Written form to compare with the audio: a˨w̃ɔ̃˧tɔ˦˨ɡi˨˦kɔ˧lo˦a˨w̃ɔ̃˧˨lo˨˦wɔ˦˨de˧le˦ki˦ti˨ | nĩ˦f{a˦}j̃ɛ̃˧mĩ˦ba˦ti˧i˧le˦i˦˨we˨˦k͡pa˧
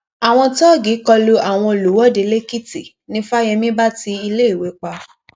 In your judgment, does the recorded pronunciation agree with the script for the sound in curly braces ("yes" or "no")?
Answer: yes